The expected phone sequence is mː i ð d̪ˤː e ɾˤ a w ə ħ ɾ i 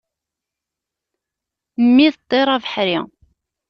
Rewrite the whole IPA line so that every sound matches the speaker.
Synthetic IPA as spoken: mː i ð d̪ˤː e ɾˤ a v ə ħ ɾ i